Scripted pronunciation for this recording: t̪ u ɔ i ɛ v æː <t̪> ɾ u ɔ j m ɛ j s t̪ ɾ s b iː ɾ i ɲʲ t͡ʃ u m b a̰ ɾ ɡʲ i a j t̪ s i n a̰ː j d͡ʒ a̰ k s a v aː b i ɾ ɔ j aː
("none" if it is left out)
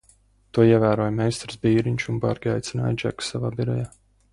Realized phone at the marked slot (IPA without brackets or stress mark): none